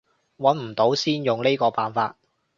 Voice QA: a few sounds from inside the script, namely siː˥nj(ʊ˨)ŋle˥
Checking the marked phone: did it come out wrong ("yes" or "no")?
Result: no